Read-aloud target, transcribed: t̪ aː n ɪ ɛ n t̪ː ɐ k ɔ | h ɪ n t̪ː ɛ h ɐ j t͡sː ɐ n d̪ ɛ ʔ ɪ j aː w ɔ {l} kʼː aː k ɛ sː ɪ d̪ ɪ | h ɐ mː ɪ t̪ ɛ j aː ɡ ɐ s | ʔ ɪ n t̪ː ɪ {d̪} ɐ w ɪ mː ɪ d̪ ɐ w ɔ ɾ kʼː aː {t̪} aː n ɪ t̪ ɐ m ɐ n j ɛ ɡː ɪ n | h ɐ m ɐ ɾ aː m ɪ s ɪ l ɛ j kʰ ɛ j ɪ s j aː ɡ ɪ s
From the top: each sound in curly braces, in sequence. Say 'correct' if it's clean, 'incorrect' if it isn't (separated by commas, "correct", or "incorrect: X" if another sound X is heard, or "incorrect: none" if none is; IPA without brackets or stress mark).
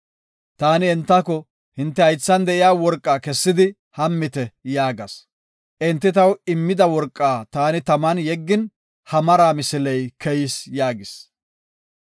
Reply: incorrect: ɾ, incorrect: t̪, correct